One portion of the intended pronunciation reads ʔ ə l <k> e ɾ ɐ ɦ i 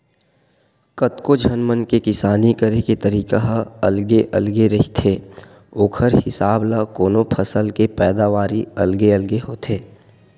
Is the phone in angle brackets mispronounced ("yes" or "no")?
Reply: yes